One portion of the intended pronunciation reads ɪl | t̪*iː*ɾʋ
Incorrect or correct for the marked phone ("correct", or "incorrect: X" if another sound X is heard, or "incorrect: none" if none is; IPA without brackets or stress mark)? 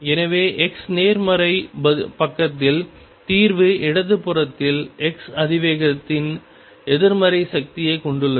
correct